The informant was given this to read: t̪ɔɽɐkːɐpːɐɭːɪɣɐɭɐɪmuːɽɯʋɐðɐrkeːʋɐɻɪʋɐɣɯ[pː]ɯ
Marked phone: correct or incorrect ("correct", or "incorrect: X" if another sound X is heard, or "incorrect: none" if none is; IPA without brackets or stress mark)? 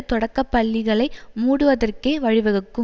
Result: incorrect: kː